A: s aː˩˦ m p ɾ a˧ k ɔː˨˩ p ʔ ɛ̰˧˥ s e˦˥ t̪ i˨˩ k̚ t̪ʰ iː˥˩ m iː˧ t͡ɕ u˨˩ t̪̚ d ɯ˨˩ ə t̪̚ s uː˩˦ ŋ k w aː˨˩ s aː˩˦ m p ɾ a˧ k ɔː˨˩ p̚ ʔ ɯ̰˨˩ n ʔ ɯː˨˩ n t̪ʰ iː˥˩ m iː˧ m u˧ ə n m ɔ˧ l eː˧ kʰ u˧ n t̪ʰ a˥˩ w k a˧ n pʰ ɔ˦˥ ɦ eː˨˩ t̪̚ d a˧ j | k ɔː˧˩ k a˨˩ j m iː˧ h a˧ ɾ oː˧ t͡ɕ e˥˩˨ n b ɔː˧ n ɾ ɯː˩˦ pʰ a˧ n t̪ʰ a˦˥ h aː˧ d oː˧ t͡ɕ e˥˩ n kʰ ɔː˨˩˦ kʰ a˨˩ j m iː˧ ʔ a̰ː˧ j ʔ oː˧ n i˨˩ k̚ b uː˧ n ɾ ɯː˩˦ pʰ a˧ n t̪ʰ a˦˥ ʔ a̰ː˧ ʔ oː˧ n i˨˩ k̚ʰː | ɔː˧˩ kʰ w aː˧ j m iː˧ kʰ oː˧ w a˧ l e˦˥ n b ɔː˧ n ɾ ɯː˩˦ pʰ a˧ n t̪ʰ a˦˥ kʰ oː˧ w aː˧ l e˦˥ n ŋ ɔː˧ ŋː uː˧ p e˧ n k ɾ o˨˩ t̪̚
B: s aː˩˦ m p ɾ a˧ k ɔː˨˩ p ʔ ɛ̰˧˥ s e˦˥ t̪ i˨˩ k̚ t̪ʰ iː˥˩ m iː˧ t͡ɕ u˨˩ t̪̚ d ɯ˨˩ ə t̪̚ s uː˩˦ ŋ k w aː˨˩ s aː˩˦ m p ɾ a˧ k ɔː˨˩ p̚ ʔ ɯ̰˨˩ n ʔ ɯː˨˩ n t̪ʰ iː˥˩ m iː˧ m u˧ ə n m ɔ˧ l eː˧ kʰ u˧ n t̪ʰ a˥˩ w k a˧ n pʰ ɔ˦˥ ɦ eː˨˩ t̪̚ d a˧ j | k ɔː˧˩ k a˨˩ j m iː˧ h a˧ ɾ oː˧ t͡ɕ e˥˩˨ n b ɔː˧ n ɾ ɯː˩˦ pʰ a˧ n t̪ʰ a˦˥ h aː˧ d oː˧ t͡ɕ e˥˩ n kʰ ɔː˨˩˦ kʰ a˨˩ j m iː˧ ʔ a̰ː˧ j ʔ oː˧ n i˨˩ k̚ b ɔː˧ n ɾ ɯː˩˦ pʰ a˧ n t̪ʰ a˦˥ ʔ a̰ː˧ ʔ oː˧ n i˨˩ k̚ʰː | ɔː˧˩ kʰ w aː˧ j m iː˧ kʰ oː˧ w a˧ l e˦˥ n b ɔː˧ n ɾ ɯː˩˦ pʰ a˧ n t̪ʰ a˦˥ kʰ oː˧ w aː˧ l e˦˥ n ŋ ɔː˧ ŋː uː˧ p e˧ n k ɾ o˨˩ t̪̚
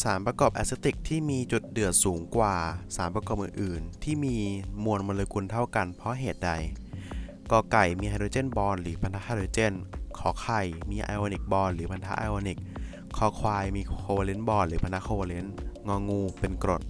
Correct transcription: B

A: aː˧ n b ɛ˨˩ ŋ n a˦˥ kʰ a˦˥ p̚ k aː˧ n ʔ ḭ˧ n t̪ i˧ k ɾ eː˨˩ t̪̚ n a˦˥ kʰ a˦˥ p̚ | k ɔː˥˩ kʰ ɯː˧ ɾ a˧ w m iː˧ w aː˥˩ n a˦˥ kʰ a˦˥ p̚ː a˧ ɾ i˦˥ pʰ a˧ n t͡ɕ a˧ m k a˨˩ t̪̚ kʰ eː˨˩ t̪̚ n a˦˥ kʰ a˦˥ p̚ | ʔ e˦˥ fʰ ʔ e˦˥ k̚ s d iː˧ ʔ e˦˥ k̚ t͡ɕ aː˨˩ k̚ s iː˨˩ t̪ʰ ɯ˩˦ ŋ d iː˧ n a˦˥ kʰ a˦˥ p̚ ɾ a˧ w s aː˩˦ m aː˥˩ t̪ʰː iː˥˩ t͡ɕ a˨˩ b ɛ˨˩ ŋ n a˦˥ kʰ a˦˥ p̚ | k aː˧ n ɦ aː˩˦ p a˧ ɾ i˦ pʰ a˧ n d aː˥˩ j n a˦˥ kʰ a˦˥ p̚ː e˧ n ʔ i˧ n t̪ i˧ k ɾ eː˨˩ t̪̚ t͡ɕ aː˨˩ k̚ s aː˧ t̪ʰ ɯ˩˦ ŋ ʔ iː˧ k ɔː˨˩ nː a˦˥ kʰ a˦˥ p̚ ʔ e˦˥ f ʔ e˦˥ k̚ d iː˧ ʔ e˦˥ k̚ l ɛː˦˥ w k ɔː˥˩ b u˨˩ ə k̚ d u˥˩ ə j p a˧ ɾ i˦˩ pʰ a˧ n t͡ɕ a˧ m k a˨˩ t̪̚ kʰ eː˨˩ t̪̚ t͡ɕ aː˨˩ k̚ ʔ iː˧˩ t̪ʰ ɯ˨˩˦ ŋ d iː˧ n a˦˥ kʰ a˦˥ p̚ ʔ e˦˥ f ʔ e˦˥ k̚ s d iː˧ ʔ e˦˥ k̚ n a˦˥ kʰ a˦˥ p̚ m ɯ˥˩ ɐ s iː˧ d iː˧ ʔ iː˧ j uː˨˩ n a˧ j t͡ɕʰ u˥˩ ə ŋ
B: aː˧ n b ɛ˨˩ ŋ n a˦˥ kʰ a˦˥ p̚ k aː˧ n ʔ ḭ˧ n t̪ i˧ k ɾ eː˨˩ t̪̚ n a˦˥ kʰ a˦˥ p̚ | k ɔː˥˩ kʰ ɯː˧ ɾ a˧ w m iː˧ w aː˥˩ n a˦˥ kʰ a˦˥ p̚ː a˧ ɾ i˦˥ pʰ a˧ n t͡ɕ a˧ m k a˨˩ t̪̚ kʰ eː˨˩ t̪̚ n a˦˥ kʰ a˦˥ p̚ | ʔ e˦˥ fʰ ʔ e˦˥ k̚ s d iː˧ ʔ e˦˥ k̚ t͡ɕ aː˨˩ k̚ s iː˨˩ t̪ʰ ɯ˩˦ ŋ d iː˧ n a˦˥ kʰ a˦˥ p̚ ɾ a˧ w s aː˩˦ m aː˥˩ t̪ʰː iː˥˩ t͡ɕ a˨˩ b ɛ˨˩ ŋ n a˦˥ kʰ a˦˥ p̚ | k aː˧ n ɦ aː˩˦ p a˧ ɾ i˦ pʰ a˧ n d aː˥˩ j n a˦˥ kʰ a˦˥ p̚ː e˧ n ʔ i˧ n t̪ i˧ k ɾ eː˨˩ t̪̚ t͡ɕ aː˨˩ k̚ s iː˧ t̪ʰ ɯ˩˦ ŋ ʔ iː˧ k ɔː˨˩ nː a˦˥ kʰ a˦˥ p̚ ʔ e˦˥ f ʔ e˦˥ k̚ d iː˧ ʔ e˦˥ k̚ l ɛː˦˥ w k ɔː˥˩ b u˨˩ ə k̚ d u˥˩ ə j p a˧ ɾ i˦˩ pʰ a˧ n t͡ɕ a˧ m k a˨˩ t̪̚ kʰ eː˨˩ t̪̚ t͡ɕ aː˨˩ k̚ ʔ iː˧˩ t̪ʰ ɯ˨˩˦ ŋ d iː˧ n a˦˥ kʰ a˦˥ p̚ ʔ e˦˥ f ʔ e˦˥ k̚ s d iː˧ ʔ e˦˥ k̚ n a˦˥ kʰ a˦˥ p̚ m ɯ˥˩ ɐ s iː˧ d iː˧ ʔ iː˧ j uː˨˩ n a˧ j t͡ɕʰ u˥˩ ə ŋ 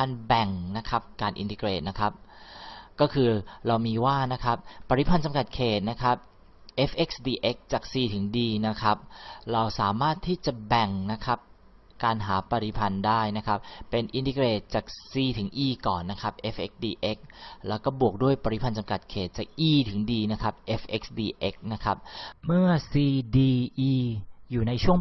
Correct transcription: B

